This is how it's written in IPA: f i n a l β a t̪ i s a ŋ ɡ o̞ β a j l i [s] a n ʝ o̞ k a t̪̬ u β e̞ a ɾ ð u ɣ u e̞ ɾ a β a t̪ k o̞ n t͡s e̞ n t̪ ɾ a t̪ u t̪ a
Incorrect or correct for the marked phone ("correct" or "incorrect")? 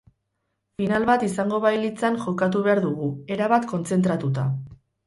incorrect